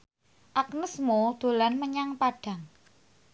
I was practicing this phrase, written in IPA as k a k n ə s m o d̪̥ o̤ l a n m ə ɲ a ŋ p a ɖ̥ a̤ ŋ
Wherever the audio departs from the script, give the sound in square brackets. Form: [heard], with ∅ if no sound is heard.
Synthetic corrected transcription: [ʔ] a k n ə s m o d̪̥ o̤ l a n m ə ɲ a ŋ p a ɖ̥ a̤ ŋ